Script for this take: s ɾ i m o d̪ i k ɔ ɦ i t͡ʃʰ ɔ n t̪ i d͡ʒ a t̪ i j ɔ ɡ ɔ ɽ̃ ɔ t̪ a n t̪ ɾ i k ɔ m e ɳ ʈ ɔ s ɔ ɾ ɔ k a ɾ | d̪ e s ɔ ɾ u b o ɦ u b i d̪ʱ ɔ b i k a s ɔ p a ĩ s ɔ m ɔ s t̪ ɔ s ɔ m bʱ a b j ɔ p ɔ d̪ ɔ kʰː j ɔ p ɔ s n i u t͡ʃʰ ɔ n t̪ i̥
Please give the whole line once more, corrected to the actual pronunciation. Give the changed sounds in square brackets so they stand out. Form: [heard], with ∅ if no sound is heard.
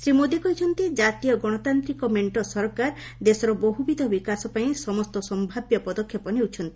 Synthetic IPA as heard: s ɾ i m o d̪ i k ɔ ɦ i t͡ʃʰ ɔ n t̪ i d͡ʒ a t̪ i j ɔ ɡ ɔ ɽ̃ ɔ t̪ a n t̪ ɾ i k ɔ m e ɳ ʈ ɔ s ɔ ɾ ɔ k a ɾ | d̪ e s ɔ ɾ [ɔ] b o ɦ u b i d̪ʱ ɔ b i k a s ɔ p a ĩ s ɔ m ɔ s t̪ ɔ s ɔ m bʱ a b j ɔ p ɔ d̪ ɔ kʰː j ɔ p ɔ [∅] n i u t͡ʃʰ ɔ n t̪ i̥